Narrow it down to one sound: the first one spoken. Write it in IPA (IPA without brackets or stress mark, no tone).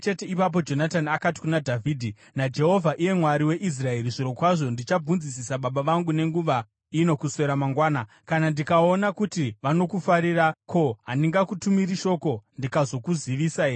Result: t͡ʃ